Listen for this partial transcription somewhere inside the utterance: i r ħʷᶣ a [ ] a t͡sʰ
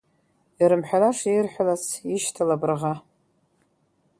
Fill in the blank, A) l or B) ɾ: A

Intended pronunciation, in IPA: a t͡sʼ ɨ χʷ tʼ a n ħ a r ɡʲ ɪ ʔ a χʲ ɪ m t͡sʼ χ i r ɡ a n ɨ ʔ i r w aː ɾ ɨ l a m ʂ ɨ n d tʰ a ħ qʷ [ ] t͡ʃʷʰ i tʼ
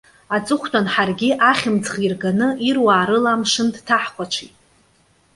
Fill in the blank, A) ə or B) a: B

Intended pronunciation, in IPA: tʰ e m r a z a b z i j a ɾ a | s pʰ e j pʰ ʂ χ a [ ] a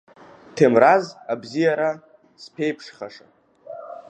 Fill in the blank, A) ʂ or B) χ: A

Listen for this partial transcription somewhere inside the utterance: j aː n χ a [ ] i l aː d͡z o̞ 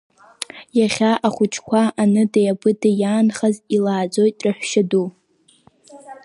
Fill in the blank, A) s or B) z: B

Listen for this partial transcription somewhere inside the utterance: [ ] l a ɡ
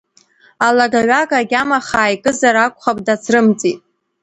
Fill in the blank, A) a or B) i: A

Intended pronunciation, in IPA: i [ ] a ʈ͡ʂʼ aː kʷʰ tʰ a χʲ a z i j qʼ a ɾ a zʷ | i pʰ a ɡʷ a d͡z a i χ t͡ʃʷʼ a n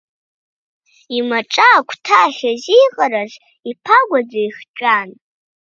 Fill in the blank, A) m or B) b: A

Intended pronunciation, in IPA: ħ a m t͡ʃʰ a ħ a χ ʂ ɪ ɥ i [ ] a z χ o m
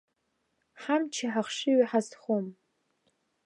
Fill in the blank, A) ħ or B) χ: A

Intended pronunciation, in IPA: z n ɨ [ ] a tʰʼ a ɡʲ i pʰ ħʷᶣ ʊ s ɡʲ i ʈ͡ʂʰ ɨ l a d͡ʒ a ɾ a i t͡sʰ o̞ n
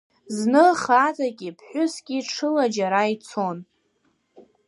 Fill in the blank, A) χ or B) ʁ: A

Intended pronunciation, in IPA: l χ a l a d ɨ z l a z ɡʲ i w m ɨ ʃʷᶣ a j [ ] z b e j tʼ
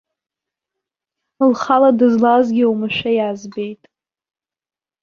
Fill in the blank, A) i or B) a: B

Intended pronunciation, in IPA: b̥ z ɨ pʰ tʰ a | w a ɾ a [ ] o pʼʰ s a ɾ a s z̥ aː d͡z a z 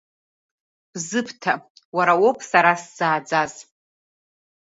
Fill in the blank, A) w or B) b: A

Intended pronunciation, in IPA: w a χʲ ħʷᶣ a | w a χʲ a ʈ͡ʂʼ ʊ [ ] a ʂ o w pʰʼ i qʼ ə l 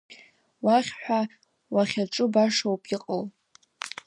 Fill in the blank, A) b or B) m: A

